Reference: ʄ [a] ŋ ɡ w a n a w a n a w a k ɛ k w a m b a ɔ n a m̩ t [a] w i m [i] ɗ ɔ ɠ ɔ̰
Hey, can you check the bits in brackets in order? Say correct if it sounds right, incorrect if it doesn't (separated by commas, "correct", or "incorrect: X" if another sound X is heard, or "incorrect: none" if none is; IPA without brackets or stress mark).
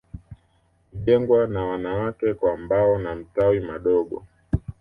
incorrect: ɛ, correct, incorrect: a